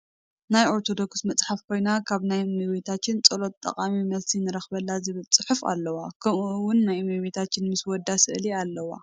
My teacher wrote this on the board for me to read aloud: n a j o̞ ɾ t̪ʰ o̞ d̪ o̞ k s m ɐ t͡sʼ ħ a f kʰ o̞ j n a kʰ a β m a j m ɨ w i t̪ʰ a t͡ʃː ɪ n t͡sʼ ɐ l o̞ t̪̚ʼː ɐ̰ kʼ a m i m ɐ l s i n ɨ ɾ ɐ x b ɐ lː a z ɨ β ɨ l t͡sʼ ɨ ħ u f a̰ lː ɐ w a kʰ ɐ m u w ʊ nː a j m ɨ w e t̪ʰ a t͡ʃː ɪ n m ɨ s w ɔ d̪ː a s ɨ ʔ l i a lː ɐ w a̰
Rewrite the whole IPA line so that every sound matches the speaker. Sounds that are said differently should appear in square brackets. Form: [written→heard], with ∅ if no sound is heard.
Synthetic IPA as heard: n a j o̞ ɾ t̪ʰ o̞ d̪ o̞ k s m ɐ t͡sʼ ħ a f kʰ o̞ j n a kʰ a β [m→n] a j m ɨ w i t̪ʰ a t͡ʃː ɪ n t͡sʼ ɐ l o̞ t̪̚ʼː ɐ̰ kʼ a m i m ɐ l s i n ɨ ɾ ɐ x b ɐ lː a z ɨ β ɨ l t͡sʼ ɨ ħ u f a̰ lː ɐ w a kʰ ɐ m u w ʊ nː a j m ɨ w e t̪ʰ a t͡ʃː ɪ n m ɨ s w ɔ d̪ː a s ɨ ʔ l i a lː ɐ w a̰